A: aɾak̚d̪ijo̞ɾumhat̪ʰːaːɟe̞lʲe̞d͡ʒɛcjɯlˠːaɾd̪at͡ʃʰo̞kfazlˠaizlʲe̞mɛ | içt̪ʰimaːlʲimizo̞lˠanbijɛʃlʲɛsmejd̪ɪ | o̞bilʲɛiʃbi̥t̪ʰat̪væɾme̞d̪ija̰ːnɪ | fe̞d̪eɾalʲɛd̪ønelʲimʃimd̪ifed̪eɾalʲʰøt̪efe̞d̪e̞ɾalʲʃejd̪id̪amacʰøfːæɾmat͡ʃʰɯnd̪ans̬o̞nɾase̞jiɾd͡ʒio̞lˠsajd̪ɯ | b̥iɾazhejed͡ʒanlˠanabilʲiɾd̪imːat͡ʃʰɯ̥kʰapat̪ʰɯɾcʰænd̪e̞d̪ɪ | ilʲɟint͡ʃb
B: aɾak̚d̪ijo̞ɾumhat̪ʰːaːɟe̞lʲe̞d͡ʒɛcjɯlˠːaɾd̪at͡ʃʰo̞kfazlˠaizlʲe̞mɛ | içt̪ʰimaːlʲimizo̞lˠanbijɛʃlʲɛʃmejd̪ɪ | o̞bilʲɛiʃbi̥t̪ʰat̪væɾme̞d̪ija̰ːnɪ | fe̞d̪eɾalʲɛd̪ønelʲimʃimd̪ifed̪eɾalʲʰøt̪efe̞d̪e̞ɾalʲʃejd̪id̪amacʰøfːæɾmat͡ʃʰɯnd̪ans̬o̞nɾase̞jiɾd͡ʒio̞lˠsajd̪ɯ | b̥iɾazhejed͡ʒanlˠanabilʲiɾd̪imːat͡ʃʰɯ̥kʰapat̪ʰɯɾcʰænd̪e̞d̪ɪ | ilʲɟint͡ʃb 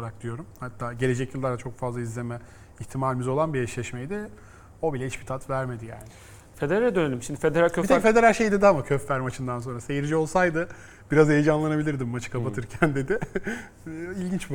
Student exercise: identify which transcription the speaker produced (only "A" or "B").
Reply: B